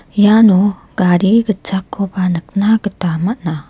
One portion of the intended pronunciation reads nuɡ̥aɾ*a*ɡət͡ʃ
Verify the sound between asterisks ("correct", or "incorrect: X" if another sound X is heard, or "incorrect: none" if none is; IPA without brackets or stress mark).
incorrect: i